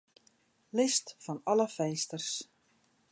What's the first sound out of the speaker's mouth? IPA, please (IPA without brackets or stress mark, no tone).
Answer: l